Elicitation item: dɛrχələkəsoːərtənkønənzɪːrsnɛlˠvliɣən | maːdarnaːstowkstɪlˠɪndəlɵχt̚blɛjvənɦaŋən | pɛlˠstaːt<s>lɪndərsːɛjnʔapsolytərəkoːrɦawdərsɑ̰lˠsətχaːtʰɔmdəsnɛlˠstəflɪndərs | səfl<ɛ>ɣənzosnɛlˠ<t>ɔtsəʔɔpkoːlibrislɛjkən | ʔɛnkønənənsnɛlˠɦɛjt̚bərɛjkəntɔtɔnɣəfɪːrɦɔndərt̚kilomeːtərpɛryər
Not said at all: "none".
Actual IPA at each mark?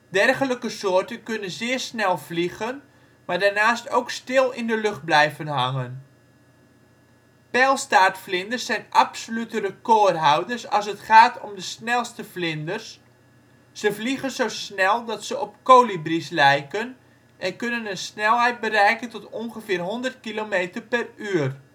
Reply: f, i, d

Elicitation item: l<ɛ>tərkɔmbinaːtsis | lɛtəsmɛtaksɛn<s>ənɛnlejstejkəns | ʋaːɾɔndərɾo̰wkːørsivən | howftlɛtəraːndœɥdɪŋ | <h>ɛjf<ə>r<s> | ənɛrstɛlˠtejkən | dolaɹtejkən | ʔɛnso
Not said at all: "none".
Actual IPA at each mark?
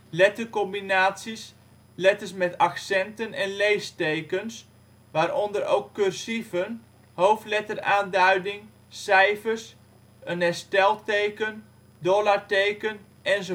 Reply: ɛ, t, s, ə, s

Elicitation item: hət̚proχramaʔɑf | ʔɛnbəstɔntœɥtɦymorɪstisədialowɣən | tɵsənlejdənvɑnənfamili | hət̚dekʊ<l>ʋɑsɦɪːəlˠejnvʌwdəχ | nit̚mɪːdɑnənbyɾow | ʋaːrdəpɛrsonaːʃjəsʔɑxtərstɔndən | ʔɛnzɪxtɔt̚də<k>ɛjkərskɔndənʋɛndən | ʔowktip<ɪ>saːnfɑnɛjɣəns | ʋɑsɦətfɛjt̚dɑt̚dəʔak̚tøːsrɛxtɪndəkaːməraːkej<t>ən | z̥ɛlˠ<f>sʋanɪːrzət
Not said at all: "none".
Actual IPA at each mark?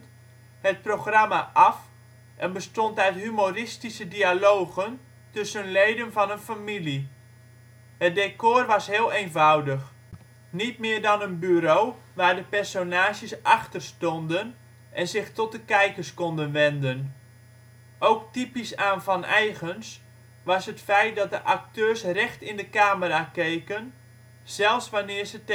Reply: r, k, i, k, f

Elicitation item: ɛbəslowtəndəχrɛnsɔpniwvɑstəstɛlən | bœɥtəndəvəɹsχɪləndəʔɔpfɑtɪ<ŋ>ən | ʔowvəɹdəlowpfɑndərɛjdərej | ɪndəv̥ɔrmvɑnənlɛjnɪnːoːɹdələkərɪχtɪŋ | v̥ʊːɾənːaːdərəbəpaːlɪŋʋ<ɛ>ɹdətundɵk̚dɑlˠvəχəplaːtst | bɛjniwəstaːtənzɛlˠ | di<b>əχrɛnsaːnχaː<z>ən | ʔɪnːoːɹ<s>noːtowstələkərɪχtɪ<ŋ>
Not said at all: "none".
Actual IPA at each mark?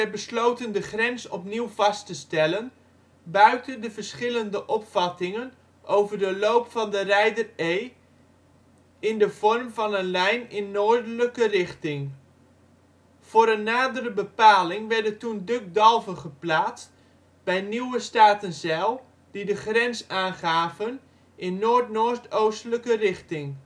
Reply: ŋ, ɛ, d, v, t, ŋ

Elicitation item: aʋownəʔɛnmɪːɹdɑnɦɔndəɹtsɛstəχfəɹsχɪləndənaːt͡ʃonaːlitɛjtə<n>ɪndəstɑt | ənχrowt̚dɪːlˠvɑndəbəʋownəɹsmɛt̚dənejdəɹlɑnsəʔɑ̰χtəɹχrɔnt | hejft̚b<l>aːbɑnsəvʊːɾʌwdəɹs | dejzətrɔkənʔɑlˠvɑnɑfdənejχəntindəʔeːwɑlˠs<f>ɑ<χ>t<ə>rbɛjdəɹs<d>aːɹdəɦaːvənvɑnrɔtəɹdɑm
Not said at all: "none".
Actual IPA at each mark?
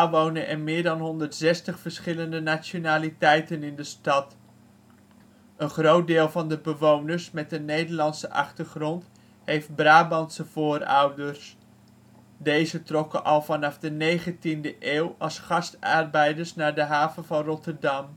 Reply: n, r, χ, s, ɑ, n

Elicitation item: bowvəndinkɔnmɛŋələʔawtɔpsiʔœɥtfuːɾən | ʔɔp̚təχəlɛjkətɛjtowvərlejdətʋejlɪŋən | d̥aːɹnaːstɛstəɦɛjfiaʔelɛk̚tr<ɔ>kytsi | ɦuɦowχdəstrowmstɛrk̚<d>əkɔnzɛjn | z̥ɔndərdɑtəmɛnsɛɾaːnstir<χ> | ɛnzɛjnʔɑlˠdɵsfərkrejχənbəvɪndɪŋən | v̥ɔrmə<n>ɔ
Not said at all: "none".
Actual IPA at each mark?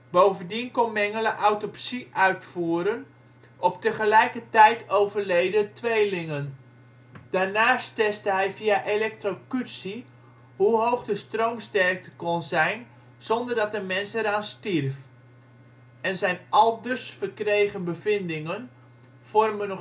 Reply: o, t, f, n

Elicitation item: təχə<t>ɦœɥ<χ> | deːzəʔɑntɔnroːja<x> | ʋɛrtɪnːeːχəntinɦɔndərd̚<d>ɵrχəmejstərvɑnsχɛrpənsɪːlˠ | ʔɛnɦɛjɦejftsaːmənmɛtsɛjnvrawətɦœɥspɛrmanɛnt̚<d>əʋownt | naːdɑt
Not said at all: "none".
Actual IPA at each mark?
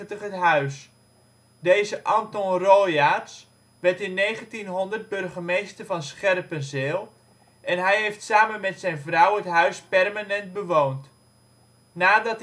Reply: t, s, s, b, b

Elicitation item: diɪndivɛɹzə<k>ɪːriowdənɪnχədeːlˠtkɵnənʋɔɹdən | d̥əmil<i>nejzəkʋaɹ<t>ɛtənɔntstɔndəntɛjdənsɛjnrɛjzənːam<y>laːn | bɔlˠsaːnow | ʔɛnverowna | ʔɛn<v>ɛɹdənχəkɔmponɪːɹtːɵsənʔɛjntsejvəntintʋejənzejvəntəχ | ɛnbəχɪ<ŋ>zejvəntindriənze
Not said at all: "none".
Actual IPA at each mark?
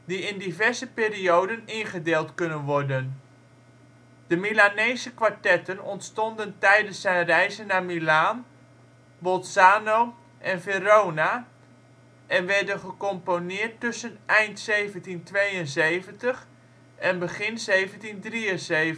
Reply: p, a, t, i, ʋ, n

